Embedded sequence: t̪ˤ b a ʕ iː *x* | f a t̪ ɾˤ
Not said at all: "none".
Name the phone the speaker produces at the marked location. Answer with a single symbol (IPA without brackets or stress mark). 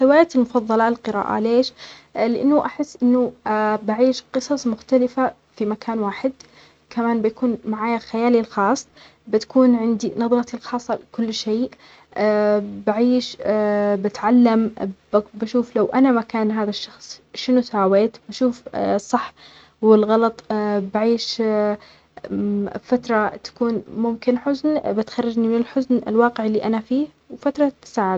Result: ʃ